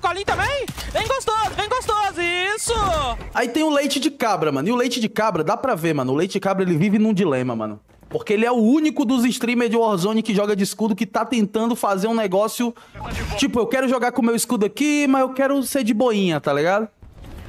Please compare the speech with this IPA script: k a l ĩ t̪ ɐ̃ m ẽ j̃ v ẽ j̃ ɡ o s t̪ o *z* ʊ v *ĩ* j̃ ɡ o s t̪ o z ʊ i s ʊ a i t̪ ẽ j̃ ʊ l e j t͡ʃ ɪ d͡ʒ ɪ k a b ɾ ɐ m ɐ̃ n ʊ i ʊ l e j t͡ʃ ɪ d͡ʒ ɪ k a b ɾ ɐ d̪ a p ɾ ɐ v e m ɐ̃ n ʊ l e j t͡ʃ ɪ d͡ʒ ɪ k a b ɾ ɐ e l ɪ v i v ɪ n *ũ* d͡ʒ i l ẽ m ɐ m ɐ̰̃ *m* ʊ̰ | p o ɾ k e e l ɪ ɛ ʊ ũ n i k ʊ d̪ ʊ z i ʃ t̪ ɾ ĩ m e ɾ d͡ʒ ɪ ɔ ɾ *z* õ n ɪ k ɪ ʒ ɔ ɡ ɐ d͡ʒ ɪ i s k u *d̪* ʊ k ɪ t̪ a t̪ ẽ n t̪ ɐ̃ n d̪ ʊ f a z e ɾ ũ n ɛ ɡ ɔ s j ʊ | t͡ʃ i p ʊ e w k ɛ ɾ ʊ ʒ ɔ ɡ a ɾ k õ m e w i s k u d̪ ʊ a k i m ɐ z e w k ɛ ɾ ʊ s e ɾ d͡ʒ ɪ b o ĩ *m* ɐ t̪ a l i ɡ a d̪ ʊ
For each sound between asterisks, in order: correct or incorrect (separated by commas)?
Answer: correct, incorrect, correct, incorrect, correct, correct, incorrect